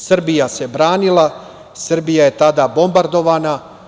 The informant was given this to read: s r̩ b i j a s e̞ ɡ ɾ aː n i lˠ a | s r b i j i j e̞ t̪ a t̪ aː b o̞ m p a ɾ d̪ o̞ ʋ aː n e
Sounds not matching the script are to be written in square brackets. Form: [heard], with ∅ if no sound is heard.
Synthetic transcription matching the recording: s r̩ b i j a s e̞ [b] ɾ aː n i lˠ a | s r b i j [a] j e̞ t̪ a [d̪] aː b o̞ m [b] a ɾ d̪ o̞ ʋ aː n [a]

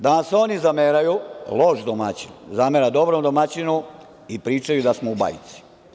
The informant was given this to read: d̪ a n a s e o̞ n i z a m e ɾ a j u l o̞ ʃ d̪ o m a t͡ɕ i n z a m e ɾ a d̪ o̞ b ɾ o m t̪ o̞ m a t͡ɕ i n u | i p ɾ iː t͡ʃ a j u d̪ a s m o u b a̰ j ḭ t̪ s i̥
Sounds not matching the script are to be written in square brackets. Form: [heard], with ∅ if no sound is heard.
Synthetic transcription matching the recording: d̪ a n a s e o̞ n i z a m e ɾ a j u l o̞ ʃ d̪ o m a t͡ɕ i n z a m e ɾ a d̪ o̞ b ɾ o m [d̪] o̞ m a t͡ɕ i n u | i p ɾ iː t͡ʃ a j u d̪ a s m o u b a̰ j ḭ t̪ s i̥

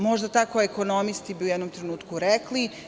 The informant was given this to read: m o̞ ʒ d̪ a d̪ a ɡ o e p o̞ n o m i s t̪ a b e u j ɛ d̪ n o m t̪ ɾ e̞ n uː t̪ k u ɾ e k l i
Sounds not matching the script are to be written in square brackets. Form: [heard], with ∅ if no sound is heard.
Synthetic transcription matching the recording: m o̞ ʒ d̪ a [t̪] a [k] o e [k] o̞ n o m i s t̪ [i] b [i] u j ɛ d̪ n o m t̪ ɾ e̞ n uː t̪ k u ɾ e k l i

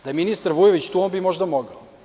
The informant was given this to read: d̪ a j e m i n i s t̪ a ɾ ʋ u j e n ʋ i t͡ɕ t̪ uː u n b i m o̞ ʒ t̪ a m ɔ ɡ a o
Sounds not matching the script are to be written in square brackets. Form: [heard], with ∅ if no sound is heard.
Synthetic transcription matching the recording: d̪ a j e m i n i s t̪ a ɾ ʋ u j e [∅] ʋ i t͡ɕ t̪ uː [o] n b i m o̞ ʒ [d̪] a m [o] ɡ a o

